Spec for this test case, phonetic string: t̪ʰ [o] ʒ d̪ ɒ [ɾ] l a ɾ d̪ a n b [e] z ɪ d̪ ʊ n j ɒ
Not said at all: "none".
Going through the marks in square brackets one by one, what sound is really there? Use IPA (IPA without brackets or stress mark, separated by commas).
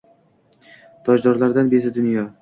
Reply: ɒ, ɾ, e